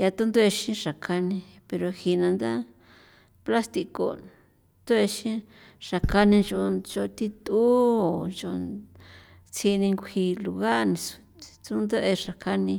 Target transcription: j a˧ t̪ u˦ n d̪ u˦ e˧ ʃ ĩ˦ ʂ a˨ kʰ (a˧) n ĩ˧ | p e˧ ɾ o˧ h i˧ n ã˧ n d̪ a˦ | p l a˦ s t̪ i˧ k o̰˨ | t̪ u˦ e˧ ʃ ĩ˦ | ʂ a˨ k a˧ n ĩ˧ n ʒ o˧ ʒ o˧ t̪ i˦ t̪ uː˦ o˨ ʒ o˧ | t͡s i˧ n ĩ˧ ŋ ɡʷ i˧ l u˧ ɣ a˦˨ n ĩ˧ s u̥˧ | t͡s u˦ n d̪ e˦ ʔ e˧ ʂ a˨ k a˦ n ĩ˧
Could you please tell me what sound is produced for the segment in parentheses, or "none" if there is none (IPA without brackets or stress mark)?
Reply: a˧